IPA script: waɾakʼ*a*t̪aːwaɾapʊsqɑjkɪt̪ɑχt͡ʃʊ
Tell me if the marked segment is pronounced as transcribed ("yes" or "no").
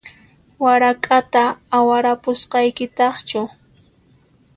yes